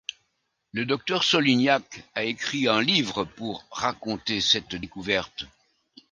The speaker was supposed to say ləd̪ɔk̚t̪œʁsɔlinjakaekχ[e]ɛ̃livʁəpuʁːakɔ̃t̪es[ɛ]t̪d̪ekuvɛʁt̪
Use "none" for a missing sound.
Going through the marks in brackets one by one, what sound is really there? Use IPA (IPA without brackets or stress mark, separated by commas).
i, ɛ